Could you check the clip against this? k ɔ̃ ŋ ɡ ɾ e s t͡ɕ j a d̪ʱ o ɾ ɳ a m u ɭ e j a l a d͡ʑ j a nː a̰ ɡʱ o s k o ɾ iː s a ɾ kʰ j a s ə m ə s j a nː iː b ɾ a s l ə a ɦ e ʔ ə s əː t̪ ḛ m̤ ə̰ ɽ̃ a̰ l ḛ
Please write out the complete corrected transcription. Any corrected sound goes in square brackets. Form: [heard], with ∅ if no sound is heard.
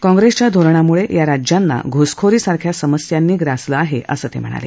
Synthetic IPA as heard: k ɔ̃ ŋ ɡ ɾ e s t͡ɕ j a d̪ʱ o ɾ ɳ a m u ɭ e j a [ɾ] a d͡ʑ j a nː a̰ ɡʱ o s [kʰ] o ɾ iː s a ɾ kʰ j a s ə m ə s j a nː iː [ɡ] ɾ a s l ə a ɦ e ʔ ə s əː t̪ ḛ m̤ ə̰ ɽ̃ a̰ l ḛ